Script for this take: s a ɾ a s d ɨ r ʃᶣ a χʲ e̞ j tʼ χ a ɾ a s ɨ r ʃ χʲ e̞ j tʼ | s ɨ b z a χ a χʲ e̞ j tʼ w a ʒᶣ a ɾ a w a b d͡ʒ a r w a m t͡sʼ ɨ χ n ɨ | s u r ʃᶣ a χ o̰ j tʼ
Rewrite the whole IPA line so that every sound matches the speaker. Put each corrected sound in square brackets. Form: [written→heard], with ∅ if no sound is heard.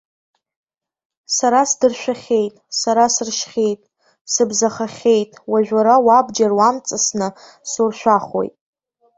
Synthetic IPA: s a ɾ a s d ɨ r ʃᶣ a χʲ e̞ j tʼ [χ→s] a ɾ a s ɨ r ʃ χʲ e̞ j tʼ | s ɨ b z a χ a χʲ e̞ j tʼ w a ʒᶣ a ɾ a w a b d͡ʒ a r w a m t͡sʼ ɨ [χ→s] n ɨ | s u r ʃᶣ a χ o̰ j tʼ